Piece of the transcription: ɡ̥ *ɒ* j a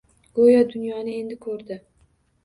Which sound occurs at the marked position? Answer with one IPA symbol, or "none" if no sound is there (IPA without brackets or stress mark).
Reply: o